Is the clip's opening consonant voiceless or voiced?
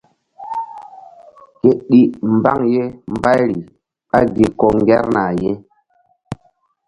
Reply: voiceless